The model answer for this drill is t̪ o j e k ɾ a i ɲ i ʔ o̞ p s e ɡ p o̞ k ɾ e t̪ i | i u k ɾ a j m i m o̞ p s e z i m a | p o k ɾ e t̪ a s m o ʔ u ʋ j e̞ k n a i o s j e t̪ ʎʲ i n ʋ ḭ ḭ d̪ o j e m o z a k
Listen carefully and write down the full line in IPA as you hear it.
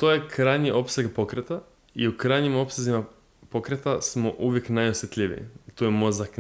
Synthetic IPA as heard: t̪ o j e k ɾ a j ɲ i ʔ o̞ p s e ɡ p o̞ k ɾ e t̪ a | i u k ɾ a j ɲ i m o̞ p s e z i m a | p o k ɾ e t̪ a s m o ʔ u ʋ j e̞ k n a j o s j e t̪ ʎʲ i ʋ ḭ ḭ t̪ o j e m o z a k